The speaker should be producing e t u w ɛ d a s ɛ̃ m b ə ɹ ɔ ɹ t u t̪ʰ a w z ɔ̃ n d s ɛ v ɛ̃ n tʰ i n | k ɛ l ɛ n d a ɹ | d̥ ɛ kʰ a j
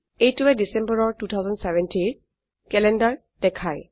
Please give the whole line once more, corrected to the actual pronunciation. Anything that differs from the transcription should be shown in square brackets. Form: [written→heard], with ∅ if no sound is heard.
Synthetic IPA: e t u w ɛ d [a→i] s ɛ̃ m b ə ɹ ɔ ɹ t u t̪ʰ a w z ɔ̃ n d s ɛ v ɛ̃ n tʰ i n | k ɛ l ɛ n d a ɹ | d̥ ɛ kʰ a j